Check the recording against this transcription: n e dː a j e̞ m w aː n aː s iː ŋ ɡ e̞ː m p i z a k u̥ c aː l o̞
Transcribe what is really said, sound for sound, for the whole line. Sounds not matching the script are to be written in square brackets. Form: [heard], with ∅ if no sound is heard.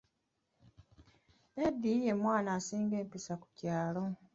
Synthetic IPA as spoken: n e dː [i] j e̞ m w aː n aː s iː ŋ ɡ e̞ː m p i [s] a k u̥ c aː l o̞